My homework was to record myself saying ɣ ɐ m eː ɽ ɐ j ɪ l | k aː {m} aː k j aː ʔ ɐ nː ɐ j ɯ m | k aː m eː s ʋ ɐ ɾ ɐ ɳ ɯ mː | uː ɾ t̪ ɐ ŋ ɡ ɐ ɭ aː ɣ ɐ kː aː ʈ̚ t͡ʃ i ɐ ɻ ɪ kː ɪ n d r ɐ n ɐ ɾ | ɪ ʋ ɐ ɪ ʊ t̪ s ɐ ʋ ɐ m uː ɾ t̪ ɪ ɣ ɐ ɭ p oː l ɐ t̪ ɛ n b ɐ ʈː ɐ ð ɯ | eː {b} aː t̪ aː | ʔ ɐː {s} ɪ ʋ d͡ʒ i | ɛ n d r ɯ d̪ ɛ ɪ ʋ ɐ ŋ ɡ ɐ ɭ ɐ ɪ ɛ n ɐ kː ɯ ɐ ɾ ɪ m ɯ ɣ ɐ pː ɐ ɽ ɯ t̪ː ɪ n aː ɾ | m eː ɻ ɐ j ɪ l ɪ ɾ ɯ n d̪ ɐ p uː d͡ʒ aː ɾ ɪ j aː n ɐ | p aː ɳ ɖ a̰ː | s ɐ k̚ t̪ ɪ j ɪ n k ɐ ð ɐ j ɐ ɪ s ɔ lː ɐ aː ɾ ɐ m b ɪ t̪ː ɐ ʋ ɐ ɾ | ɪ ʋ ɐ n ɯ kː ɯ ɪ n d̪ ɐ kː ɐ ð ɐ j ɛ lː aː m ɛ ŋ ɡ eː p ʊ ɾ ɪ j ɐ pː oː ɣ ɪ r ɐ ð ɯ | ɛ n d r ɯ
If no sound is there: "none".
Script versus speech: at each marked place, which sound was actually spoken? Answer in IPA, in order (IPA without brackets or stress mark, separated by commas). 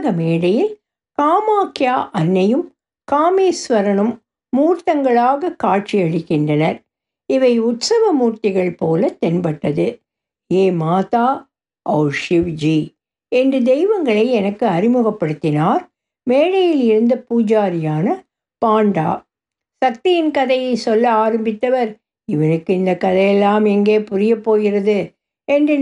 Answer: m, m, ʂ